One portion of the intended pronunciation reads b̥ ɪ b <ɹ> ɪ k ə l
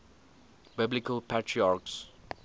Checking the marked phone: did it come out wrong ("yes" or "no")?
yes